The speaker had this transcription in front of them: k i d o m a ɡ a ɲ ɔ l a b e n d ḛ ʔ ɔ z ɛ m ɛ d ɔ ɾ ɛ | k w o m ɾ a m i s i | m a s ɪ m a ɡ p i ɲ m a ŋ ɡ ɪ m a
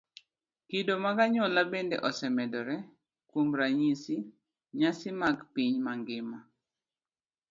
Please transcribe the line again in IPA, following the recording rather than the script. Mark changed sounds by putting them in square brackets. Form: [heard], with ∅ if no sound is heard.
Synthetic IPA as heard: k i d o m a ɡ a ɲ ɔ l a b e n d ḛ ʔ ɔ [s] ɛ m ɛ d ɔ ɾ ɛ | k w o m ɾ a [ɲ] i s i | [ɲ] a s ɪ m a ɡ p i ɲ m a ŋ ɡ ɪ m a